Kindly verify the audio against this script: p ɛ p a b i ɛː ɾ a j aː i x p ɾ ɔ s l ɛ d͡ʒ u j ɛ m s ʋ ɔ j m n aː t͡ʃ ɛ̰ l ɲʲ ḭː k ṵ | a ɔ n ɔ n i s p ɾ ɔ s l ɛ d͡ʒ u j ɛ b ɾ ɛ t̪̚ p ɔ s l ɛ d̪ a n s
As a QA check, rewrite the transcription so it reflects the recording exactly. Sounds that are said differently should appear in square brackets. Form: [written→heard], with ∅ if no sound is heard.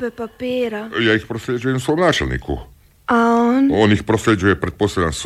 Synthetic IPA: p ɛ p a [b→p] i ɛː ɾ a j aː i x p ɾ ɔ s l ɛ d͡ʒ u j ɛ m s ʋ ɔ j m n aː t͡ʃ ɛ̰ l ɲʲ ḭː k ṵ | a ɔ n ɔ n i [s→x] p ɾ ɔ s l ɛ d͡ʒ u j ɛ [b→p] ɾ ɛ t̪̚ p ɔ s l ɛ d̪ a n s